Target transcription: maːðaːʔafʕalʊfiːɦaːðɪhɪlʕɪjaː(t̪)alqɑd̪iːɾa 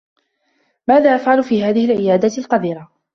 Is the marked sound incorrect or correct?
incorrect